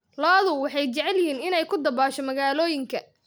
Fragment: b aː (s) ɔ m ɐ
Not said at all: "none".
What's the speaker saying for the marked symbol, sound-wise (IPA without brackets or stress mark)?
ʃ